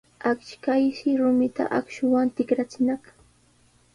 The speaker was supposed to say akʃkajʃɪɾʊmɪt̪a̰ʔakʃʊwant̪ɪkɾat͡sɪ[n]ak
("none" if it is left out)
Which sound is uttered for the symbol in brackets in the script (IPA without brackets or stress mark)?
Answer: n